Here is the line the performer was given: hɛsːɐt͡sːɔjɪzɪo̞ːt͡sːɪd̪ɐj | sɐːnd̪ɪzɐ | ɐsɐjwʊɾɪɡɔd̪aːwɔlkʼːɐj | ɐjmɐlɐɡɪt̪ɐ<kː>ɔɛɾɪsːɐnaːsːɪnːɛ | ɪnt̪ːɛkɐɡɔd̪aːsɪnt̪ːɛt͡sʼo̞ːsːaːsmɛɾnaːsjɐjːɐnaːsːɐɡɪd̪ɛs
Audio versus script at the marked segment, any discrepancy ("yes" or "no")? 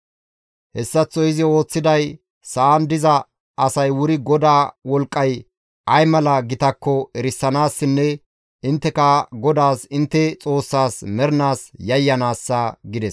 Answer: no